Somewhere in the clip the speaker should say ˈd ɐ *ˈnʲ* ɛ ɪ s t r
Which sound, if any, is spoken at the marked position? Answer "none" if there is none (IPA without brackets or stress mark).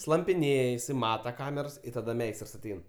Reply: mʲ